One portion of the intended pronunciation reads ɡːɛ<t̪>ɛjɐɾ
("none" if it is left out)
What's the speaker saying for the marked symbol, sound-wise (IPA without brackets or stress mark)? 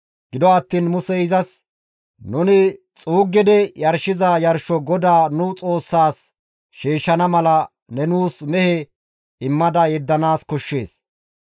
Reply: d̪